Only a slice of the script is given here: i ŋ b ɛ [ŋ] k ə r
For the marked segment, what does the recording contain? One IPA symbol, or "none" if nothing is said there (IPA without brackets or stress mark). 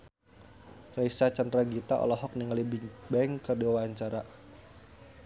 ŋ